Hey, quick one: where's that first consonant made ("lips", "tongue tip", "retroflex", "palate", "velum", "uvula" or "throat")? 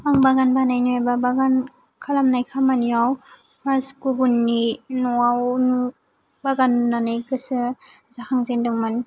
velum